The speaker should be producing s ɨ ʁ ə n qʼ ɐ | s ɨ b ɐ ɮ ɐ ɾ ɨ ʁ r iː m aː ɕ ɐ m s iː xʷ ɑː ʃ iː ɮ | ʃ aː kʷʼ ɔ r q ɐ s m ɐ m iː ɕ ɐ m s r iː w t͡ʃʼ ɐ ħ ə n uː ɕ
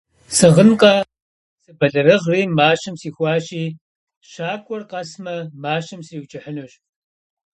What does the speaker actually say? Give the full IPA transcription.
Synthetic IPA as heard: s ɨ ʁ ə n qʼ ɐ | s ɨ b ɐ ɮ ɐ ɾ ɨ ʁ r iː m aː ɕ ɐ m s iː xʷ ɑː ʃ iː | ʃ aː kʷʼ ɔ r q ɐ s m ɐ m aː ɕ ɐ m s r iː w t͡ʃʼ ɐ ħ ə n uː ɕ

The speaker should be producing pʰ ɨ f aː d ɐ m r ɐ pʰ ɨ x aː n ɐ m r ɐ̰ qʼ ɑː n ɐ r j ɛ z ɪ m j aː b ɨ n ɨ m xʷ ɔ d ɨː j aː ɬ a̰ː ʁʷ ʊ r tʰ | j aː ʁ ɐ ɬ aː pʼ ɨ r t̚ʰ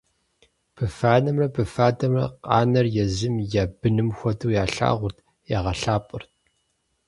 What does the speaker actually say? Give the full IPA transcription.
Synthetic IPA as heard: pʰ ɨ f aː n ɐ m r ɐ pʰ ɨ f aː d ɐ m r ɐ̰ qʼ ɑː n ɐ r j ɛ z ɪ m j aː b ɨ n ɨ m xʷ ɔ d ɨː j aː ɬ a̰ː ʁʷ ʊ r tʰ | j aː ʁ ɐ ɬ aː pʼ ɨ r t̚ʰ

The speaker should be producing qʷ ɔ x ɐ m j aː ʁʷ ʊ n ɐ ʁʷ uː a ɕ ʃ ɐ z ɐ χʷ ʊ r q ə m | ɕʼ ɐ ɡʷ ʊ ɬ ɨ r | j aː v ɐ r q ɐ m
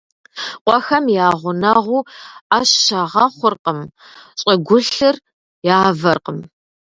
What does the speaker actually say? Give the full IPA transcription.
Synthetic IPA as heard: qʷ ɔ x ɐ m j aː ʁʷ ʊ n ɐ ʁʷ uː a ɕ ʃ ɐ ʁ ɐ χʷ ʊ r q ə m | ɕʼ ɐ ɡʷ ʊ ɬ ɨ r | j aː v ɐ r q ə m

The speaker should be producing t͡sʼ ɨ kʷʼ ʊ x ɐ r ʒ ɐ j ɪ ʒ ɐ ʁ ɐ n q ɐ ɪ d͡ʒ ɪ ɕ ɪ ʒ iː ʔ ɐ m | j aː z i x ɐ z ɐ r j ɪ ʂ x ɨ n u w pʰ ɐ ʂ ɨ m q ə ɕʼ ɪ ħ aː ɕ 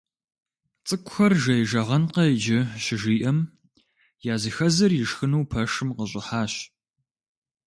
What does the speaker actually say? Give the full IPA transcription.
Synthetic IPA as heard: t͡sʼ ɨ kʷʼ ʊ x ɐ r ʒ ɐ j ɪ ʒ ɐ ʁ ɐ n q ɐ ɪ d͡ʒ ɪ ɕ ɪ ʒ iː ʔ ɐ m | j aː z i x ɐ z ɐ r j ɪ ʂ x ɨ n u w pʰ ɐ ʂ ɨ m q ə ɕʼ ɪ ħ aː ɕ

